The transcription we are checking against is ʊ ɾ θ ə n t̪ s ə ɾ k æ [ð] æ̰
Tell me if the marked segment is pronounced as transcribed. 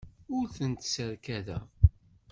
yes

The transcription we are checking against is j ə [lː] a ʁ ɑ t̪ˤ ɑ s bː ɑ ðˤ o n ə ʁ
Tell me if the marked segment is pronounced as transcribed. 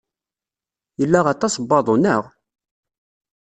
yes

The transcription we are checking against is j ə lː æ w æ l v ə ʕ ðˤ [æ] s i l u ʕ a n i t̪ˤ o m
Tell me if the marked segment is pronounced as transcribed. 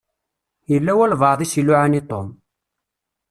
no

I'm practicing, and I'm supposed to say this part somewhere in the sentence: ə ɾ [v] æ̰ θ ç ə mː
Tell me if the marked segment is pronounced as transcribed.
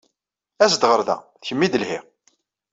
no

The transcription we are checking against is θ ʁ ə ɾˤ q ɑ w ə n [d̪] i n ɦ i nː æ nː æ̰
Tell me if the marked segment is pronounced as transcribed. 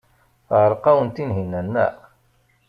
no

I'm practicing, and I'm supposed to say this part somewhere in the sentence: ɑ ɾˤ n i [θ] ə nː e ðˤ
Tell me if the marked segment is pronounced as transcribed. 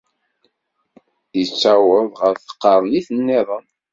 yes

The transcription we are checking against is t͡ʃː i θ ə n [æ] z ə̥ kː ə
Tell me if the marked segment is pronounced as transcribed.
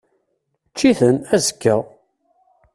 yes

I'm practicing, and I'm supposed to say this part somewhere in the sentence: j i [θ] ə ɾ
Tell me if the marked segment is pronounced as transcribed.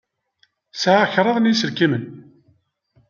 no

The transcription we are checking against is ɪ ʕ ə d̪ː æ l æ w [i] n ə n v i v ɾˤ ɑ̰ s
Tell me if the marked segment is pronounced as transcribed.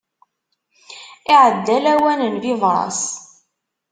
no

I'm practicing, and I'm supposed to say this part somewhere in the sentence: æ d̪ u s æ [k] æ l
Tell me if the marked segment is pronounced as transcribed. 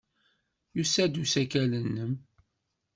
yes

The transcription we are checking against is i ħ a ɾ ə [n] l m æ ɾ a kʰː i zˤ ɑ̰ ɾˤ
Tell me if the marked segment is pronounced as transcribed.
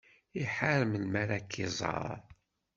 no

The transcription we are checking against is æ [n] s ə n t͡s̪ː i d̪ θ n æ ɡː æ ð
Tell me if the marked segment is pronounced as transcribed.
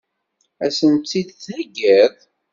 no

